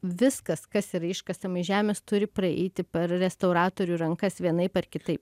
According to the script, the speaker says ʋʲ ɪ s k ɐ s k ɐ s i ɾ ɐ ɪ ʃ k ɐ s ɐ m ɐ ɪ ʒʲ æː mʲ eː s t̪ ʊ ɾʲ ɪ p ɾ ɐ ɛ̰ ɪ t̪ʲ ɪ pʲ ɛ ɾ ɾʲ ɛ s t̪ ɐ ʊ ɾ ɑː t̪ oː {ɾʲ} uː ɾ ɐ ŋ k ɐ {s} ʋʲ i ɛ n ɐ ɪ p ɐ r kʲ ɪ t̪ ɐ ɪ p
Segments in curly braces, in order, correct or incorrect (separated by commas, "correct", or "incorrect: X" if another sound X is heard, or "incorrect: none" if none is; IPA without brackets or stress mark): correct, correct